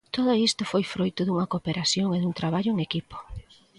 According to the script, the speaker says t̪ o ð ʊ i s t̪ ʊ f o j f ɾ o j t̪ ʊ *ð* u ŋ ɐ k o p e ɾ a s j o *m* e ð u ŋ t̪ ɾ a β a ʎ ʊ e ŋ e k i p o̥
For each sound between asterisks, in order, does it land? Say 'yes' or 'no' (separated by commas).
yes, no